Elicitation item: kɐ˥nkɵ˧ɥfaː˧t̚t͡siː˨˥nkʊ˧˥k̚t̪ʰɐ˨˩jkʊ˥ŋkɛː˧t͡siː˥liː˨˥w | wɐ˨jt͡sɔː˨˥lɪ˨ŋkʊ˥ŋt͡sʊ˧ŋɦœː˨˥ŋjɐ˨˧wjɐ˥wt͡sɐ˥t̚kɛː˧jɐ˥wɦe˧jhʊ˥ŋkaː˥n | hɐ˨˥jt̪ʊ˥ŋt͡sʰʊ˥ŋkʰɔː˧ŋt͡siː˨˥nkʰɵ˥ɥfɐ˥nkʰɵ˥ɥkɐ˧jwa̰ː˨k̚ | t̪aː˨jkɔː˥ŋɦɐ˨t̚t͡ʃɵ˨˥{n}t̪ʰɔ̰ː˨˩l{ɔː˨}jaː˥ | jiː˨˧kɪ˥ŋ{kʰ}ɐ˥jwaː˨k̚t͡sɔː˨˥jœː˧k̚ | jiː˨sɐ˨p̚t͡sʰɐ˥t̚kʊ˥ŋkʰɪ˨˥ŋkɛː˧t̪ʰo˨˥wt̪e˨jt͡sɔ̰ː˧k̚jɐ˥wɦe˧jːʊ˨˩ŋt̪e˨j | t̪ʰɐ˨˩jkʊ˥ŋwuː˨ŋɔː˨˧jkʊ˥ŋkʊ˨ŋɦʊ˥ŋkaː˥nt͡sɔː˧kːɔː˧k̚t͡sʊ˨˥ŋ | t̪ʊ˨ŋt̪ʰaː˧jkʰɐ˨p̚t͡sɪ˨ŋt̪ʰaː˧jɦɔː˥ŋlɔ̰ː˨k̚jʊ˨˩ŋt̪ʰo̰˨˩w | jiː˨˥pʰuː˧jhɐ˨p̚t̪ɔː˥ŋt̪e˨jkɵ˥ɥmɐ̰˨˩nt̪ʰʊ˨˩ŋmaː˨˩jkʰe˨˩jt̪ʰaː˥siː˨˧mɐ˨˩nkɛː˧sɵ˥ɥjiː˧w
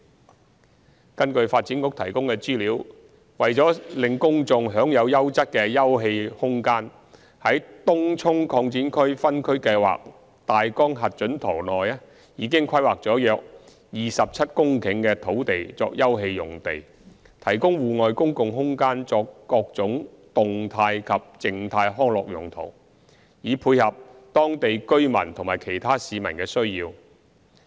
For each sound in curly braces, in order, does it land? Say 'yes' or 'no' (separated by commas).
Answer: yes, yes, yes